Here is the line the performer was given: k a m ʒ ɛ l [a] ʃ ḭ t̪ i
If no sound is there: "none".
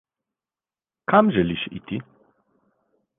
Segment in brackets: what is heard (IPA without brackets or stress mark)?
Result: i